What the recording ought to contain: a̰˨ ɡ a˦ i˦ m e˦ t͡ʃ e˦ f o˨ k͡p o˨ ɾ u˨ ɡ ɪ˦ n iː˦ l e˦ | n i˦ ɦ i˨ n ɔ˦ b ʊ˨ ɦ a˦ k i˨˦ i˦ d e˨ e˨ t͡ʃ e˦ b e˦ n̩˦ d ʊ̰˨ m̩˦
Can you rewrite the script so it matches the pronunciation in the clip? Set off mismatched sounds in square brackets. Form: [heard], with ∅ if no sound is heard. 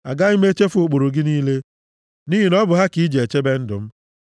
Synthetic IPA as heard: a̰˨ ɡ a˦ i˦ m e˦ t͡ʃ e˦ f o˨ k͡p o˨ ɾ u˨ ɡ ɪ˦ n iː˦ l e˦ | n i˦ ɦ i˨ n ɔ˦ b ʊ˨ ɦ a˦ k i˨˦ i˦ [d͡ʒ] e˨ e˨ t͡ʃ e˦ b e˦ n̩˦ d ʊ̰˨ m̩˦